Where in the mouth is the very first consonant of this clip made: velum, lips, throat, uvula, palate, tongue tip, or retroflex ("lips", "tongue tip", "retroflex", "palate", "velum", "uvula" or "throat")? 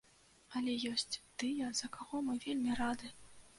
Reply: tongue tip